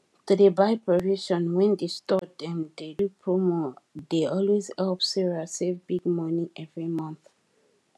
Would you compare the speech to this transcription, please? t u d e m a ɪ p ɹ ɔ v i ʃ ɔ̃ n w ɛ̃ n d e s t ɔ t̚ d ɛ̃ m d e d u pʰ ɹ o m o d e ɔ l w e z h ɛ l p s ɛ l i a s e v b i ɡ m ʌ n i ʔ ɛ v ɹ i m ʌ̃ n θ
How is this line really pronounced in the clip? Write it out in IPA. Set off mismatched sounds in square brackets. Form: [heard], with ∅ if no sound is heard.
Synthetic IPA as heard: t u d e [b] a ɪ p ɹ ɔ v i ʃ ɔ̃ n w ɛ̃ n d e s t ɔ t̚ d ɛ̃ m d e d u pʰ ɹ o m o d e ɔ l w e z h ɛ l p s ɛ [ɹ] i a s e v b i ɡ m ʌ n i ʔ ɛ v ɹ i m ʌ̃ n θ